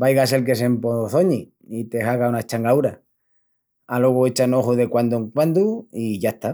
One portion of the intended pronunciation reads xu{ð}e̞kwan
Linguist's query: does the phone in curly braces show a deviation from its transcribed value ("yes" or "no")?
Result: no